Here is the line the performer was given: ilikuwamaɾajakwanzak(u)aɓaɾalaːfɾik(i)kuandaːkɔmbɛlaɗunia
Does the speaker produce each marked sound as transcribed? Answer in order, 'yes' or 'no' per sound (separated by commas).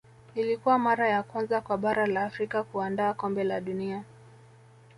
no, no